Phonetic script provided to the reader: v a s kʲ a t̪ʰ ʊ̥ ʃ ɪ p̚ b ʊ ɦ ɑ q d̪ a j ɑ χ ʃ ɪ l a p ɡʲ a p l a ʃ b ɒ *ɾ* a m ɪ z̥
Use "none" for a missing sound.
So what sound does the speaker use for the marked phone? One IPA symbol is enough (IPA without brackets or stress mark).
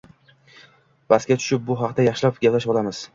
l